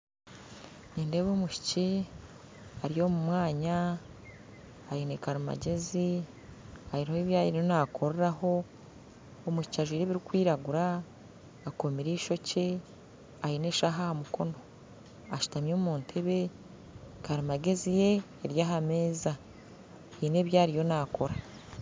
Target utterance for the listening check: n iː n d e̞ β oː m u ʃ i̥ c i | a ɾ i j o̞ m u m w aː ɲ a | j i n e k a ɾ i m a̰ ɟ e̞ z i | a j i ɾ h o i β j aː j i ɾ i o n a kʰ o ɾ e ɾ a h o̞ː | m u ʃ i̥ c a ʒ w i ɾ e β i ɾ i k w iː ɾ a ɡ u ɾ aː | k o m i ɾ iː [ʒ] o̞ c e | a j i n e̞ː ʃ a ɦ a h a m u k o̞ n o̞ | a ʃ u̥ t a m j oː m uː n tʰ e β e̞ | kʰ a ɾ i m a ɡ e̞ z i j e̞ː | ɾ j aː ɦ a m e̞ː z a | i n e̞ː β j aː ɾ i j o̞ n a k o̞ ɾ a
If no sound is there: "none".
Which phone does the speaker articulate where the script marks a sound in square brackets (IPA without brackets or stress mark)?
ʃ